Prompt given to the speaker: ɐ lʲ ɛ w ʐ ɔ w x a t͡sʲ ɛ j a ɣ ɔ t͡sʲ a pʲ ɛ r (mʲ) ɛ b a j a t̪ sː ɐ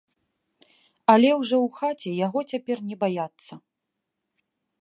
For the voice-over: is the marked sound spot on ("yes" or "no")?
no